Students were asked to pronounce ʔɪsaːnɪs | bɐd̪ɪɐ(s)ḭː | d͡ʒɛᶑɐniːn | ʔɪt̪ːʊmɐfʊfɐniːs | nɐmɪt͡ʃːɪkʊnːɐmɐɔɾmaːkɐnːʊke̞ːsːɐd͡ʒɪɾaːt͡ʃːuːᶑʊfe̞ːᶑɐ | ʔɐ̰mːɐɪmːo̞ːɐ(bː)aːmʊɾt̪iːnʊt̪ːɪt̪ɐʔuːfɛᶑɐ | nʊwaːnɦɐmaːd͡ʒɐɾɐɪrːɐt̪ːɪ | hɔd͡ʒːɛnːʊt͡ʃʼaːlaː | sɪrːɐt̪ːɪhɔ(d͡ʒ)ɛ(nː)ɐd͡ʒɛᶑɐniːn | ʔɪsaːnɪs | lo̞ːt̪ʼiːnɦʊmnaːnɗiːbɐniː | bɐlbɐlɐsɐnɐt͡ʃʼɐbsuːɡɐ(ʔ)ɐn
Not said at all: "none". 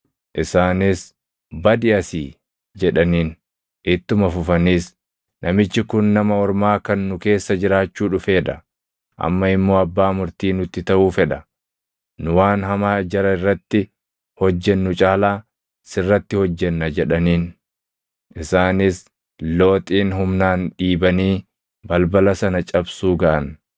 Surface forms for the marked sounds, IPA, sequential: s, bː, d͡ʒː, nː, ʔ

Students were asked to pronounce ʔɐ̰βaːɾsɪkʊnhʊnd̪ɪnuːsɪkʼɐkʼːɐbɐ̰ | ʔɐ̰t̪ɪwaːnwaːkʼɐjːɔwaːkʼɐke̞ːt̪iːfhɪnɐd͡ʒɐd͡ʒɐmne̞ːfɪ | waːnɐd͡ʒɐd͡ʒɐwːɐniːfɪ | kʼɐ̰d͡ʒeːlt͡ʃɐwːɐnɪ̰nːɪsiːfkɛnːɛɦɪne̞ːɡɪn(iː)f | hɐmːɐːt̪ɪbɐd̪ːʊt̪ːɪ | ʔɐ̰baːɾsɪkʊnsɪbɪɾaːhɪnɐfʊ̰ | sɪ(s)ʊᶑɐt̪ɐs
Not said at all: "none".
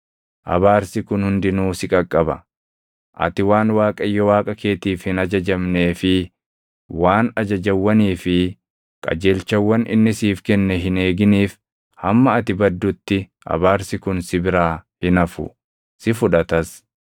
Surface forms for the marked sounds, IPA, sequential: iː, f

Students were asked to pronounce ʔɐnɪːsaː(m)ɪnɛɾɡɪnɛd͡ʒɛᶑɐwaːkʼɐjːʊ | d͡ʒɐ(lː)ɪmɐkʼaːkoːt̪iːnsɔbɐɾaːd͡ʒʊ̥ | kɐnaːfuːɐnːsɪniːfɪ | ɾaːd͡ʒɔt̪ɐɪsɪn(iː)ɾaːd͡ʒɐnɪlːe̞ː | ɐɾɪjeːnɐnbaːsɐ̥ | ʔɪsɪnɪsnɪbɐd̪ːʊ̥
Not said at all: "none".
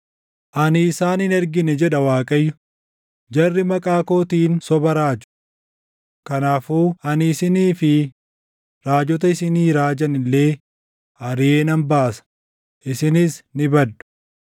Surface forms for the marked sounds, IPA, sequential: n, rː, iː

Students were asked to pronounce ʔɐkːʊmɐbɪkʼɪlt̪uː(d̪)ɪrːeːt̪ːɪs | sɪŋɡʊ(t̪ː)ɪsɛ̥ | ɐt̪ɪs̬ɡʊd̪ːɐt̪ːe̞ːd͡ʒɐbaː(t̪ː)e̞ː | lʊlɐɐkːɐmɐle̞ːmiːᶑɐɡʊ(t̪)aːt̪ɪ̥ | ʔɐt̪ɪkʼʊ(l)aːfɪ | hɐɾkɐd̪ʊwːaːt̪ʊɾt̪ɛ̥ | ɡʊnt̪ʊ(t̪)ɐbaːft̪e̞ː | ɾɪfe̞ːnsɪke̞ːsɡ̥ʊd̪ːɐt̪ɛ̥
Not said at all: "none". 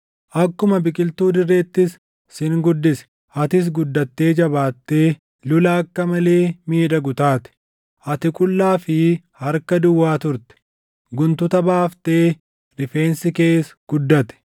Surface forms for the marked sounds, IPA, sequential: d̪, d̪ː, t̪ː, t̪, lː, t̪

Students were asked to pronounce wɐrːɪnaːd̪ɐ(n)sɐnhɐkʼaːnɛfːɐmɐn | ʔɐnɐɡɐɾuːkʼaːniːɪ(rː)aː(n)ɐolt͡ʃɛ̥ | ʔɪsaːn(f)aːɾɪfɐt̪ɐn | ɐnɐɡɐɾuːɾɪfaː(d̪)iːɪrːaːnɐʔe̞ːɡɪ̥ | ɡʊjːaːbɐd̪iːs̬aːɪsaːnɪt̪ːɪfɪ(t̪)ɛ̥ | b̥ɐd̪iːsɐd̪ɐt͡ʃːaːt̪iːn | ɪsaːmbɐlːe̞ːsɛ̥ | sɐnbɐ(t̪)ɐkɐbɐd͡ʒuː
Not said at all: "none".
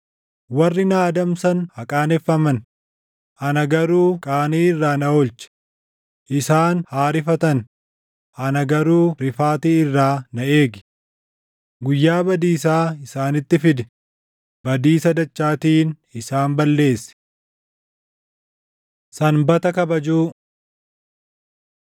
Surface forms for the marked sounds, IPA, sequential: m, rː, n, h, t̪, d̪, t̪

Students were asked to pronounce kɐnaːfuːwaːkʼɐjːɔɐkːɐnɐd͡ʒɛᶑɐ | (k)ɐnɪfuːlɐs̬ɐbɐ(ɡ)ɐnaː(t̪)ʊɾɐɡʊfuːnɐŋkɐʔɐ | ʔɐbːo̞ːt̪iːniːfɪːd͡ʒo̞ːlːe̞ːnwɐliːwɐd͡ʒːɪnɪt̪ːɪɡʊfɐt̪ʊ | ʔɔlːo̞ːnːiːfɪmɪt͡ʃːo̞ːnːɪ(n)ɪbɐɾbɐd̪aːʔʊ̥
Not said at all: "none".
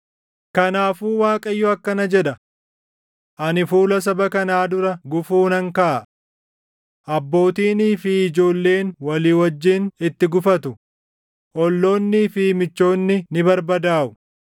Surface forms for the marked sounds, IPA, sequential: ʔ, k, d̪, n

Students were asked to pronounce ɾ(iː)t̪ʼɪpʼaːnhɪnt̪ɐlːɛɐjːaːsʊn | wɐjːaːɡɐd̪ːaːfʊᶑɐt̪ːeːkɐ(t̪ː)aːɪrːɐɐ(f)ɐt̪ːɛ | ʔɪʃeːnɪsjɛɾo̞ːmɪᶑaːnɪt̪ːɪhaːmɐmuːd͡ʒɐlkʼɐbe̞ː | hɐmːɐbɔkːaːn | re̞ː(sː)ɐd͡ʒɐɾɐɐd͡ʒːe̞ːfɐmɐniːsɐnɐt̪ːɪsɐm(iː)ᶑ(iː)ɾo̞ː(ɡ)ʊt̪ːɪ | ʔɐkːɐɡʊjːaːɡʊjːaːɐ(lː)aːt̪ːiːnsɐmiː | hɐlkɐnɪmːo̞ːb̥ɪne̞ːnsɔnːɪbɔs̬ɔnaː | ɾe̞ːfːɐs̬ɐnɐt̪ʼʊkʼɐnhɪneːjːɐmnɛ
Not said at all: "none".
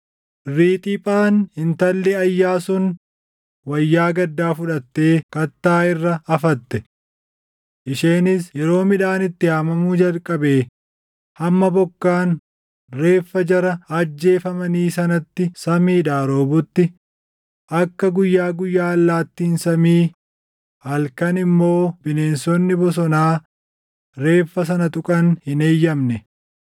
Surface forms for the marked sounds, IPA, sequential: iː, t̪ː, f, fː, iː, aː, b, lː

